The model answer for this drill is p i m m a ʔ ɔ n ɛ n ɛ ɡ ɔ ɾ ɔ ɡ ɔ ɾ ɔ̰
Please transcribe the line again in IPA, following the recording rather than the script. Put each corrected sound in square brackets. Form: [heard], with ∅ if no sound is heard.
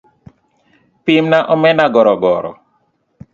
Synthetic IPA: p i m [n] a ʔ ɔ [m] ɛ n [a] ɡ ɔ ɾ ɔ ɡ ɔ ɾ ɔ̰